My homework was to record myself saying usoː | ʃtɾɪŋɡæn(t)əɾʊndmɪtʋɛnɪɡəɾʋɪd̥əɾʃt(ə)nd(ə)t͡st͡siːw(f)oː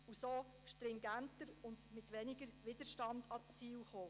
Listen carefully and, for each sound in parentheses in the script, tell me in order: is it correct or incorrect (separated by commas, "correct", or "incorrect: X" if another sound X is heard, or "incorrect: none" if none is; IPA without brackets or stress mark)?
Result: correct, incorrect: ɑ, incorrect: ɑ, incorrect: χ